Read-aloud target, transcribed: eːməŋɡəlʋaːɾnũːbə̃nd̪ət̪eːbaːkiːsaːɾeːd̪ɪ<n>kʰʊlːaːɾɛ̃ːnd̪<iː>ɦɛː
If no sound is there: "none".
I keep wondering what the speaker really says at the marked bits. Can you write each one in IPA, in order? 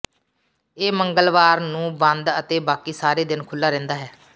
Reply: n, aː

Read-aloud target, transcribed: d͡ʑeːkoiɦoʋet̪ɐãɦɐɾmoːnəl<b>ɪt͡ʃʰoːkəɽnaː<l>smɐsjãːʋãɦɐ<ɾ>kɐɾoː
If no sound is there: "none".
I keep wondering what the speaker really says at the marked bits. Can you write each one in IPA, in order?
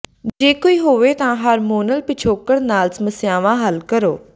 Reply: p, l, l

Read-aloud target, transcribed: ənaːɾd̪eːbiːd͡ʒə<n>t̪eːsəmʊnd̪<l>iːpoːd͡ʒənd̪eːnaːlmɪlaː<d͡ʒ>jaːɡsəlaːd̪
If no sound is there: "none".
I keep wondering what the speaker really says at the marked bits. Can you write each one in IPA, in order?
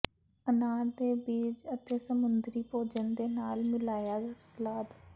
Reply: none, ɾ, none

